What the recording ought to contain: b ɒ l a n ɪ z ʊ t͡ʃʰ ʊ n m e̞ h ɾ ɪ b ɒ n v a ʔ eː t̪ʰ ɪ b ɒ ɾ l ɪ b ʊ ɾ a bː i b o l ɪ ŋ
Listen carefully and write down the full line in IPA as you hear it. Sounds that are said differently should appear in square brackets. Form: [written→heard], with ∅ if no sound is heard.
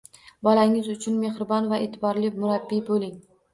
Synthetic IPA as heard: b ɒ l a [n→ŋ] ɪ z ʊ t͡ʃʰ ʊ n m e̞ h ɾ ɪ b ɒ n v a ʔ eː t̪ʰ ɪ b ɒ ɾ l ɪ [b→m] ʊ ɾ a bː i b o l ɪ ŋ